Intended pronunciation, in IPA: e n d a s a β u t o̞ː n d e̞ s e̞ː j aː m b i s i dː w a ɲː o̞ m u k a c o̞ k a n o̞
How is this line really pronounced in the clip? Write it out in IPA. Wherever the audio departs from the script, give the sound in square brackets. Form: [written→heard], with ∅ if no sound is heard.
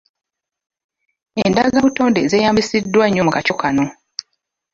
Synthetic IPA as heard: e n d a [s→z] a β u t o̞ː n d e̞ [s→z] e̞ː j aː m b i s i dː w a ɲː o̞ m u k a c o̞ k a n o̞